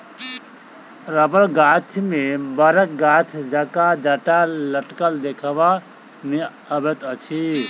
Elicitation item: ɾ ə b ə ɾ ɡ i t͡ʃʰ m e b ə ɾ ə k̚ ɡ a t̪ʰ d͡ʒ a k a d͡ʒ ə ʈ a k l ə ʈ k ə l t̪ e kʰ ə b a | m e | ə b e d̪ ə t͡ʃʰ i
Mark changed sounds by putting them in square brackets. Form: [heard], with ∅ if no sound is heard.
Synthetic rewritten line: ɾ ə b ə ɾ ɡ [a] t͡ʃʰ m e b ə ɾ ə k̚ ɡ a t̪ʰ d͡ʒ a k a d͡ʒ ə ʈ a [∅] l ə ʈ k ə l [d̪] e kʰ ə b a | m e | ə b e [t̪] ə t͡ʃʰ i